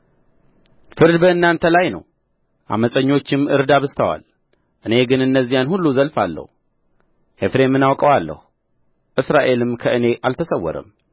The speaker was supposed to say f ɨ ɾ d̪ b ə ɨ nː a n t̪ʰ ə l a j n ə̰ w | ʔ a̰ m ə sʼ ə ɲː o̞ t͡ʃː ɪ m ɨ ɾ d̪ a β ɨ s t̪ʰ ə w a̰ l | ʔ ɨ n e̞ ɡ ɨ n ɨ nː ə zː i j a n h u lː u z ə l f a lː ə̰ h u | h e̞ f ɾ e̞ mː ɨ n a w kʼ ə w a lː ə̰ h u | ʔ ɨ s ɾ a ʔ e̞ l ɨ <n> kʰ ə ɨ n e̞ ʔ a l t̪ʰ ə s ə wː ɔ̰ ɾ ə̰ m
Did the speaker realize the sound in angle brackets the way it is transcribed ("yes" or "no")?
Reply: no